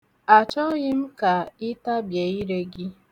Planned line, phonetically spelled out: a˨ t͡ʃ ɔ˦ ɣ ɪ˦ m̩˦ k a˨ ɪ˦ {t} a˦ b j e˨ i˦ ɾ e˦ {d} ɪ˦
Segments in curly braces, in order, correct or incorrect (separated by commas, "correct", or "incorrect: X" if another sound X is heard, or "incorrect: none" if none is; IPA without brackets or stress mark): correct, incorrect: ɡ